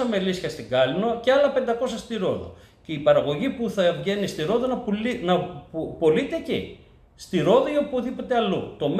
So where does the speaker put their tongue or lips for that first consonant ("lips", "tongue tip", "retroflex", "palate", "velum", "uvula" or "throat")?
lips